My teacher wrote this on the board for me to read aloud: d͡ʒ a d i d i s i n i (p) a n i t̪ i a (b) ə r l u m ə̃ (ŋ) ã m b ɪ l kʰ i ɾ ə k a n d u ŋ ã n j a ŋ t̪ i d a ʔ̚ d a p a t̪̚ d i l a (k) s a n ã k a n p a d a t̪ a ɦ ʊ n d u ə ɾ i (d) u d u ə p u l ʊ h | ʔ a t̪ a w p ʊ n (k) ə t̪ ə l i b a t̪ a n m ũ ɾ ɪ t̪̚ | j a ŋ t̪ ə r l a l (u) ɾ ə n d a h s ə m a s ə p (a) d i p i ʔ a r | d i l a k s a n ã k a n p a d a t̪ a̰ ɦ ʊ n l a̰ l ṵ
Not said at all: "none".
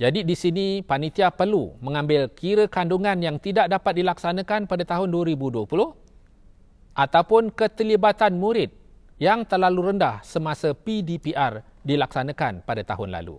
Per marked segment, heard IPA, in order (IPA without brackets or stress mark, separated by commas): p, p, ŋ, k, b, k, u, i